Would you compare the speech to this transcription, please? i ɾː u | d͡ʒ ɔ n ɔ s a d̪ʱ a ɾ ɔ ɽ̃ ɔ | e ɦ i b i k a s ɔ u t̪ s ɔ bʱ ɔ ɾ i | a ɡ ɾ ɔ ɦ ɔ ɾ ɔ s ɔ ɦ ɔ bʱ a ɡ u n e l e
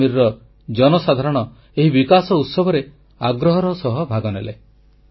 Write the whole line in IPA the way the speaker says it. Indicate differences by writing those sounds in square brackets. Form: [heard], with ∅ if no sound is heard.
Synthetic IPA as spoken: i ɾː [ɔ] | d͡ʒ ɔ n ɔ s a d̪ʱ a ɾ ɔ ɽ̃ ɔ | e ɦ i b i k a s ɔ u t̪ s ɔ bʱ ɔ ɾ [e] | a ɡ ɾ ɔ ɦ ɔ ɾ ɔ s ɔ ɦ ɔ bʱ a ɡ [ɔ] n e l e